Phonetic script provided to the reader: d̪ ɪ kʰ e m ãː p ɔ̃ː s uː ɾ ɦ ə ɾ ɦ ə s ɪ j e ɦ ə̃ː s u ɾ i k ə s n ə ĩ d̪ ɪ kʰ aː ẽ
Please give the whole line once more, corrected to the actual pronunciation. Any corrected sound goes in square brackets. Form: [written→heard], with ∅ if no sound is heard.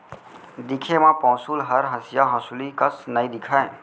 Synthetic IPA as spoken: d̪ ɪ kʰ e m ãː p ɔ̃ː s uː [ɾ→l] ɦ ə ɾ ɦ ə s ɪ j [e→a] ɦ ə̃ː s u [ɾ→l] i k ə s n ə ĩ d̪ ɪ kʰ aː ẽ

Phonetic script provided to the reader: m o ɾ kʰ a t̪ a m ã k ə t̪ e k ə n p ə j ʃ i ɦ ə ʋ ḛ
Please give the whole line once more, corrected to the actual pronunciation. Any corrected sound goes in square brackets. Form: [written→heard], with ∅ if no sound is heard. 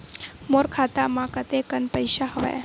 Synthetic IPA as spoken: m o ɾ kʰ a t̪ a m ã k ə t̪ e k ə n p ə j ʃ [i→a] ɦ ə ʋ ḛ

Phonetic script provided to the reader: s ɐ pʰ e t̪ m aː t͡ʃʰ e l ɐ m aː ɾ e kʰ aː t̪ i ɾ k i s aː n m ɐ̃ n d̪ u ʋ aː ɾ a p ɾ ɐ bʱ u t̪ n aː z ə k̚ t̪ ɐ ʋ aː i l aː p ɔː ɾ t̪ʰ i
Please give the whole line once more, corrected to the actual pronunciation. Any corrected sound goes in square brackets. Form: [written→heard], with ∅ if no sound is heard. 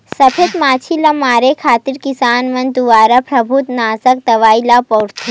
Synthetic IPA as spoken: s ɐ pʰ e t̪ m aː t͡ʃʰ [e→i] l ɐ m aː ɾ e kʰ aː t̪ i ɾ k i s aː n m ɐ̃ n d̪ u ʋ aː ɾ a p ɾ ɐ bʱ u t̪ n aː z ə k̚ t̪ ɐ ʋ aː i l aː p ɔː ɾ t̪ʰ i

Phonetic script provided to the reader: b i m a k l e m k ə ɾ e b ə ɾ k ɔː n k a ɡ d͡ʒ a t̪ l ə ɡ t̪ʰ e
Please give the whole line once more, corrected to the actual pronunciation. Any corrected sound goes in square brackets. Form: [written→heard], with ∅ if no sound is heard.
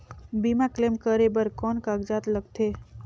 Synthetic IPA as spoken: b i m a k l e m k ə ɾ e b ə ɾ k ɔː n k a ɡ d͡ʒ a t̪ l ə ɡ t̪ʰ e

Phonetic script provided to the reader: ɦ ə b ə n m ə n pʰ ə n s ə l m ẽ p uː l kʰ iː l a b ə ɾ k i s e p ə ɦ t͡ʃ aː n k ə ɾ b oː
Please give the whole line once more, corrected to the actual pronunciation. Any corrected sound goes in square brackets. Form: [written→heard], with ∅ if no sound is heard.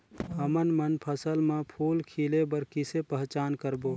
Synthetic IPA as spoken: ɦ ə [b→m] ə n m ə n pʰ ə [n→∅] s ə l m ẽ [p→pʰ] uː l kʰ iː l [a→e] b ə ɾ k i s e p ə ɦ t͡ʃ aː n k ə ɾ b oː

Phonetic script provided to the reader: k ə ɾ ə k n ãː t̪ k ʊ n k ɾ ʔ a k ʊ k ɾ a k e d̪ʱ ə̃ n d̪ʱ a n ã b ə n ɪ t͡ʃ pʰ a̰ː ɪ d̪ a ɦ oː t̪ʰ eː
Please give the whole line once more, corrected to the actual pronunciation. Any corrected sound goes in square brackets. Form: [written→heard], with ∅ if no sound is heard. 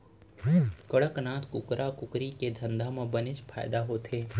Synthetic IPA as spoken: k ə [ɾ→ɽ] ə k n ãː t̪ k ʊ [n→∅] k ɾ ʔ a k ʊ k ɾ [a→i] k e d̪ʱ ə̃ n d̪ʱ a [n→m] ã b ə n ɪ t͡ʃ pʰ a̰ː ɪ d̪ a ɦ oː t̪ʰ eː

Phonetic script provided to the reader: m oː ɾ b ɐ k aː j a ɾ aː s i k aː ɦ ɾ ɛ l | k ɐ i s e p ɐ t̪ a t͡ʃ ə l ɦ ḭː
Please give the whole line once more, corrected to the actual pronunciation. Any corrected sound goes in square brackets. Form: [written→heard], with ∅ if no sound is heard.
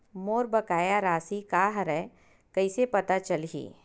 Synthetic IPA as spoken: m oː ɾ b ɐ k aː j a ɾ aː s i k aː ɦ ɾ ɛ [l→∅] | k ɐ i s e p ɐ t̪ a t͡ʃ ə l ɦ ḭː

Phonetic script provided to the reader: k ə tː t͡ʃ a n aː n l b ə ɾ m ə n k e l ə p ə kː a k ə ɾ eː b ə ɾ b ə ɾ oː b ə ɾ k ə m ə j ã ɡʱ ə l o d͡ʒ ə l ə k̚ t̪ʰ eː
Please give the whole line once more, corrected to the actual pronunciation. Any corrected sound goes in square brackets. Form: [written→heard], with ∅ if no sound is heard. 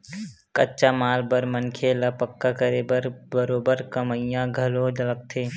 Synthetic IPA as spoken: k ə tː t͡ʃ a [n→m] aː [n→∅] l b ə ɾ m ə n [k→kʰ] e l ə p ə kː a k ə ɾ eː b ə ɾ b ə ɾ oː b ə ɾ k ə m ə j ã ɡʱ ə l o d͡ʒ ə l ə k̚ t̪ʰ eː

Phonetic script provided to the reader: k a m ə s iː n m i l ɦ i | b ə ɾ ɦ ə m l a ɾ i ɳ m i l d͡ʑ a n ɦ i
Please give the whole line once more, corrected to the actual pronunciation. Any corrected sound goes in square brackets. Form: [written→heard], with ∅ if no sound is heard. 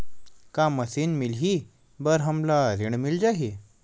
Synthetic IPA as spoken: k a m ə s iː n m i l ɦ i | b ə ɾ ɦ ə m l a ɾ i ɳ m i l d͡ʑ a [n→∅] ɦ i

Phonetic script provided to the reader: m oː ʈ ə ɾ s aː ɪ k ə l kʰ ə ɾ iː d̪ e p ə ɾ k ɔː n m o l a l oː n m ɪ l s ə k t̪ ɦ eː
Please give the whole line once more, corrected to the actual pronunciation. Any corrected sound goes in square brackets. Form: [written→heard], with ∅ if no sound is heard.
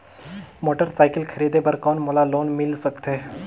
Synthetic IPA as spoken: m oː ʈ ə ɾ s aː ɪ k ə l kʰ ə ɾ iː d̪ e p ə ɾ k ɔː n m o l a l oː n m ɪ l s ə k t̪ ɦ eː

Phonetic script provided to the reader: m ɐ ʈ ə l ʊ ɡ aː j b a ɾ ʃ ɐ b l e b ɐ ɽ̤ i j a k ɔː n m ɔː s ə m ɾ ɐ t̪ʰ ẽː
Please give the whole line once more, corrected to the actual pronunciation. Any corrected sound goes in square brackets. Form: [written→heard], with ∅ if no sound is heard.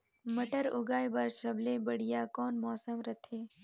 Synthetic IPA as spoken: m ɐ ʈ ə [l→ɾ] ʊ ɡ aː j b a ɾ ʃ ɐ b l e b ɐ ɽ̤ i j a k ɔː n m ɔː s ə m ɾ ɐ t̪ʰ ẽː

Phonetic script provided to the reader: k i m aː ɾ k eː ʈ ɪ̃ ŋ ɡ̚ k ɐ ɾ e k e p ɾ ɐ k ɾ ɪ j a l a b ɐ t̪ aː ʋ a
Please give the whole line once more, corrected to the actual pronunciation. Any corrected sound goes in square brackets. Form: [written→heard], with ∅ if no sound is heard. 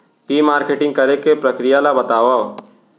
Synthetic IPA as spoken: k i m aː ɾ k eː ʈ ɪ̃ ŋ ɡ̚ k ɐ ɾ e k e p ɾ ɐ k ɾ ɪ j a l a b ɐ t̪ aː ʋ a

